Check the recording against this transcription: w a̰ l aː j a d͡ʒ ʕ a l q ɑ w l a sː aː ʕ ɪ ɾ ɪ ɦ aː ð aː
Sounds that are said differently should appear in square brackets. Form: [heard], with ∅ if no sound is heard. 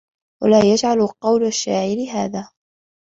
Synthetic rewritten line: w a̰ l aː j a d͡ʒ ʕ a l q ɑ w l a [ʃː] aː ʕ ɪ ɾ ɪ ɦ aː ð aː